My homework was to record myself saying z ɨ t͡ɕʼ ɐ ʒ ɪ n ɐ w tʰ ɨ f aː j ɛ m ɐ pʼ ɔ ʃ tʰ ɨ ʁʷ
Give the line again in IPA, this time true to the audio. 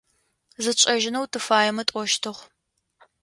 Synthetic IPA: z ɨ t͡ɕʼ ɐ ʒ ɪ n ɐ w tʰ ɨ f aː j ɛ m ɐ tʼ ɔ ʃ tʰ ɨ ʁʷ